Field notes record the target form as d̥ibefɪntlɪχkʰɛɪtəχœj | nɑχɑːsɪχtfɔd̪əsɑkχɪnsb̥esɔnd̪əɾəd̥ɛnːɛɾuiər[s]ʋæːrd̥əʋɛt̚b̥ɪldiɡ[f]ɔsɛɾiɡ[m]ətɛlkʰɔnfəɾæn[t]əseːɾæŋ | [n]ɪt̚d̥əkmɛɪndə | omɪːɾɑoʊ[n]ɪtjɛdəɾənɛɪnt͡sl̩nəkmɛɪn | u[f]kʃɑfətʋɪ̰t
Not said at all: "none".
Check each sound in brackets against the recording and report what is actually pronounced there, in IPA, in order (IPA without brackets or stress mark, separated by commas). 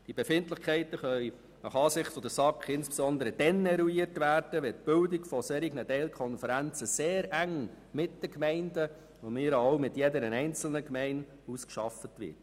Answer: t, f, n, t͡s, m, m, s